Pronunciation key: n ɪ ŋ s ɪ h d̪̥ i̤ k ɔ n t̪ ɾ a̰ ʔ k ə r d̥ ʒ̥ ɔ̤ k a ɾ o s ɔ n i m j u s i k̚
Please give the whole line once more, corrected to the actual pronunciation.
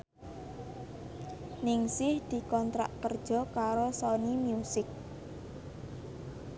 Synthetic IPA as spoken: n ɪ ŋ s ɪ h d̪̥ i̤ k ɔ n t̪ ɾ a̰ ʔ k ə r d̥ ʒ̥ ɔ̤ k a ɾ o s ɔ n i m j u s ɪ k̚

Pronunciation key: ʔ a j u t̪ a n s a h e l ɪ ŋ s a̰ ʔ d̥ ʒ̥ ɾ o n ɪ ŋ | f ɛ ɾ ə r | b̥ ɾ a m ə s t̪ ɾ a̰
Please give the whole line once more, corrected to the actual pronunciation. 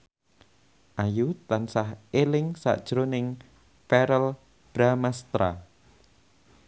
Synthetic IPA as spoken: ʔ a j u t̪ a n s a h e l ɪ ŋ s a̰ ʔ d̥ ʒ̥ ɾ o n ɪ ŋ | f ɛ ɾ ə l | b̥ ɾ a m a s t̪ ɾ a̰

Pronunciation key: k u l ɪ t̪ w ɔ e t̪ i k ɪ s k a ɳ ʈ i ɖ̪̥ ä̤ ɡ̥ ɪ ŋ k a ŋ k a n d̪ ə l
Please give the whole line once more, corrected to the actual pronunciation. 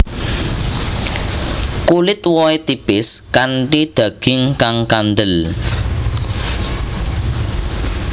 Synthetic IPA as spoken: k u l ɪ t̪ w ɔ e t̪ i p ɪ s k a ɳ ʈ i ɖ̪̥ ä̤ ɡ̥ ɪ ŋ k a ŋ k a n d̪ ə l

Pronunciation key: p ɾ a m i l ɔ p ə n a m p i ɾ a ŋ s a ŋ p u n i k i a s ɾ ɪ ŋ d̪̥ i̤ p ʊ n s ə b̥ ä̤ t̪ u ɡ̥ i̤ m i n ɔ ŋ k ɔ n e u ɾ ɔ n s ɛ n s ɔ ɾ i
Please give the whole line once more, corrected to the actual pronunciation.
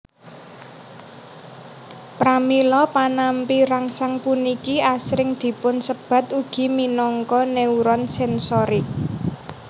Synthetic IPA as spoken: p ɾ a m i l ɔ p a n a m p i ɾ a ŋ s a ŋ p u n i k i a s ɾ ɪ ŋ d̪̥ i̤ p ʊ n s ə b̥ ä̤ t̪ u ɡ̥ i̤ m i n ɔ ŋ k ɔ n e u ɾ ɔ n s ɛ n s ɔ ɾ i

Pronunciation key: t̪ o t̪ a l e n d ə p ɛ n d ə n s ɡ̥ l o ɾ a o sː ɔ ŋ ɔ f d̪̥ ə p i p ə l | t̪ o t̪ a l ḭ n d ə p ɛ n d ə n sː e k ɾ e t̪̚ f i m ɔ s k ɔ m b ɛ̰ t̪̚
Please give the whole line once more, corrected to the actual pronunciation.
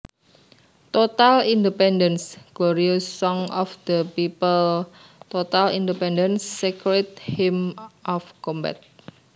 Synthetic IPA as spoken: t̪ o t̪ a l i n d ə p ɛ n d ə n s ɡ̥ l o ɾ i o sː ɔ ŋ ɔ f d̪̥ ə p i p ə l | t̪ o t̪ a l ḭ n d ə p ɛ n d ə n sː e k ɾ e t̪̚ h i m ɔ f k ɔ m b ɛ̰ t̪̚

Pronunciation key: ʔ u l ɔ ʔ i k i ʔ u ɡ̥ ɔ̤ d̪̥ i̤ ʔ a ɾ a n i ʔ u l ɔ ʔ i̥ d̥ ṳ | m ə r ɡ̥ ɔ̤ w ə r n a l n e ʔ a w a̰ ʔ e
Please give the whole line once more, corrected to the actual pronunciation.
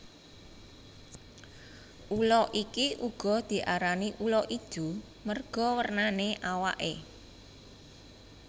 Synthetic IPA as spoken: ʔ u l ɔ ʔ i k i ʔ u ɡ̥ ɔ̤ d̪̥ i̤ ʔ a ɾ a n i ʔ u l ɔ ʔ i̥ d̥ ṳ | m ə r ɡ̥ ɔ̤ w ə r n a n e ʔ a w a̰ ʔ e

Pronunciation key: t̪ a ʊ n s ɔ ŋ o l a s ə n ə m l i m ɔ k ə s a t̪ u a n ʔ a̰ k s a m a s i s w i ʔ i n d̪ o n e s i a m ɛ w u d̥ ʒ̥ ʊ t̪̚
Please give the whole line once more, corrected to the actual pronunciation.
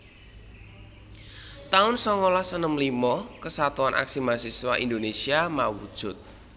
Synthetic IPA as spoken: t̪ a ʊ n s ɔ ŋ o l a s ə n ə m l i m ɔ k ə s a t̪ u a n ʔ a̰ k s i m a s i s w a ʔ i n d̪ o n e s i a m a w u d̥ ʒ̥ ʊ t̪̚

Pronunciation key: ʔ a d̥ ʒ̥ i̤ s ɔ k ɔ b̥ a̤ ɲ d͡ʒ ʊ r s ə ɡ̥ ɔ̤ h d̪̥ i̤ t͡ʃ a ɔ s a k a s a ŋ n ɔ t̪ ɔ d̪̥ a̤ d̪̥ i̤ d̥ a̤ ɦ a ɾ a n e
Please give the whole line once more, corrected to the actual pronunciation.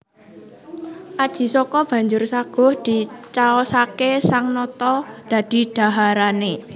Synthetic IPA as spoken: ʔ a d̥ ʒ̥ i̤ s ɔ k ɔ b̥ a̤ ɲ d͡ʒ ʊ r s a ɡ̥ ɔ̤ h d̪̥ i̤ t͡ʃ a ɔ s a k e s a ŋ n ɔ t̪ ɔ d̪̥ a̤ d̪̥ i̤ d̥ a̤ ɦ a ɾ a n e

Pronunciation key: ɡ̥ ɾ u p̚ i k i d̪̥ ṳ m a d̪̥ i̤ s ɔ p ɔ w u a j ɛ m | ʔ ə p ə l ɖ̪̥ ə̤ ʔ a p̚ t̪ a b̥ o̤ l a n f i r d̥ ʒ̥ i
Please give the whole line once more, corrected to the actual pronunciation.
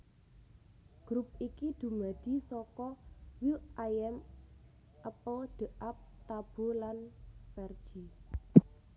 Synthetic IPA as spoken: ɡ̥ ɾ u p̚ i k i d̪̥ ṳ m a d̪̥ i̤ s ɔ k ɔ w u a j ɛ m | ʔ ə p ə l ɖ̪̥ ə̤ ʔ a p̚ t̪ a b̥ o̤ l a n f ɛ r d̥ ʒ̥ i

